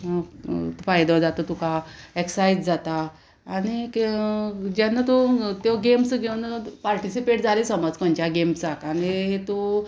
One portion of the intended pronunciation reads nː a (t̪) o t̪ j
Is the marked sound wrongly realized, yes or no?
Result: no